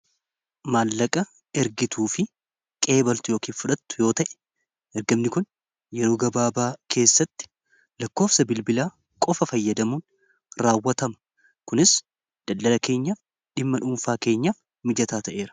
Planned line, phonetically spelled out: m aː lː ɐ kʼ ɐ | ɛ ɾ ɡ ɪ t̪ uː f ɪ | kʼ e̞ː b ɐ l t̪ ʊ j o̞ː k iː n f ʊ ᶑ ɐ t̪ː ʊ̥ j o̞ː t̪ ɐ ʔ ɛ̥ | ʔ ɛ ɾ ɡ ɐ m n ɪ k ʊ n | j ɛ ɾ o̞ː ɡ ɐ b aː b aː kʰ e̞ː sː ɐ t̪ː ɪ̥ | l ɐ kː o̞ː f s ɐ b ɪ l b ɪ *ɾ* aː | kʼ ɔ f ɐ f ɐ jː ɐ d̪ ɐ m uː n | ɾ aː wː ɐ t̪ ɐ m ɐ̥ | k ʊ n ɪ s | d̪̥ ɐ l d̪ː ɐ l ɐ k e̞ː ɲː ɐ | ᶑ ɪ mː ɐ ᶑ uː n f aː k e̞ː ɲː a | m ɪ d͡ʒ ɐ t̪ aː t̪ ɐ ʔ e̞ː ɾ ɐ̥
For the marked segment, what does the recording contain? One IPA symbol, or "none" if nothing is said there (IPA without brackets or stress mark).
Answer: l